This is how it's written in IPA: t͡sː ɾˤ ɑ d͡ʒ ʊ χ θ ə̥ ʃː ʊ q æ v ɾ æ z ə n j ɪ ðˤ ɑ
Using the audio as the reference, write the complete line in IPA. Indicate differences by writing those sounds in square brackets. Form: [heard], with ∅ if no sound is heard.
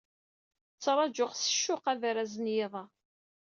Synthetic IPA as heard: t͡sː ɾˤ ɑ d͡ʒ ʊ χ [s] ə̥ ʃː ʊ q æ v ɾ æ z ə n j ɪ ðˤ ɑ